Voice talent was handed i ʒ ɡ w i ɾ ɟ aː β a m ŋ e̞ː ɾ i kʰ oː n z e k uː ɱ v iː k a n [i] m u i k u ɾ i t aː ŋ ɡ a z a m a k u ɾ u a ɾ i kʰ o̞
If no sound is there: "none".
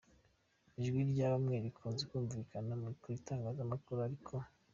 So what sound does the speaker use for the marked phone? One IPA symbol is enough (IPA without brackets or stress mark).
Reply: a